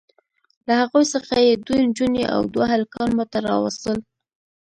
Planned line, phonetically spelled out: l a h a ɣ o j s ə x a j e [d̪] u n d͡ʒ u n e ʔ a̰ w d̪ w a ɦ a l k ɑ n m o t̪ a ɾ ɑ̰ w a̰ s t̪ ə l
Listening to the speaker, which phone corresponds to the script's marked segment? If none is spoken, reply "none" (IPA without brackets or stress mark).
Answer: d̪